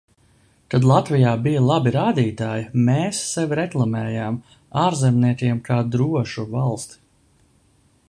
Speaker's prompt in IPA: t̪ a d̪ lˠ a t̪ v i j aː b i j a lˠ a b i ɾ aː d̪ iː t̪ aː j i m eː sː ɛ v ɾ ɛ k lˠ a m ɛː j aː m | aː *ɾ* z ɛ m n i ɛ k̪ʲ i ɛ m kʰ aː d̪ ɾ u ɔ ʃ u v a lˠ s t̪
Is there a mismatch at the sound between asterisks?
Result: no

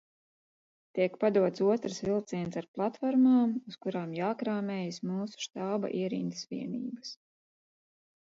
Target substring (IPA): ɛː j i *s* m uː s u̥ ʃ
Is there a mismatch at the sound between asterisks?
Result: no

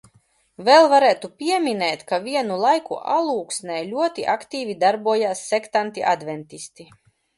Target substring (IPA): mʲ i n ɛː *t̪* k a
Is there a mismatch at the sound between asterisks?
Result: no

